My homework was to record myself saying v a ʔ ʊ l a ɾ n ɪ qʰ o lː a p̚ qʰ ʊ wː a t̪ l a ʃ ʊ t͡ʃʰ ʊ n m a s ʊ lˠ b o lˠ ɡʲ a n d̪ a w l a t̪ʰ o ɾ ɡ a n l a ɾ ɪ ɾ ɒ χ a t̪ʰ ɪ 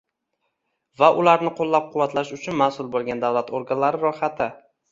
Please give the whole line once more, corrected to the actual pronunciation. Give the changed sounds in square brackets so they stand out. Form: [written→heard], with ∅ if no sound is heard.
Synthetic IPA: v a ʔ ʊ l a ɾ n ɪ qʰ o lː a p̚ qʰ ʊ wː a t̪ l a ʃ ʊ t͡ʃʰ ʊ n m a s ʊ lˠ b o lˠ ɡʲ a n d̪ a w l a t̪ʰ o ɾ ɡ a n l a ɾ ɪ ɾ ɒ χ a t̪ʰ ɪ